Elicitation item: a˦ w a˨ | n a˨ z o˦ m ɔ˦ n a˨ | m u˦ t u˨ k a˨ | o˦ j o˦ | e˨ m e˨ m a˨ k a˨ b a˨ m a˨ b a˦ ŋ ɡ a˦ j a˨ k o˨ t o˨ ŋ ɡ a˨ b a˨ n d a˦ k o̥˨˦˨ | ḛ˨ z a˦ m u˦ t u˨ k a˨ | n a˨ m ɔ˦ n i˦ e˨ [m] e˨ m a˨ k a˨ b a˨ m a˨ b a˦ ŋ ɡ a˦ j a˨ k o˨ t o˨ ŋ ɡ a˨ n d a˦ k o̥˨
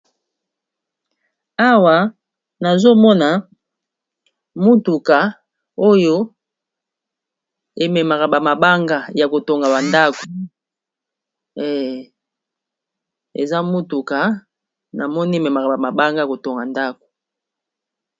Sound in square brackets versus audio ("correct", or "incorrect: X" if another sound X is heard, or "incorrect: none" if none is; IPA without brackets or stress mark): correct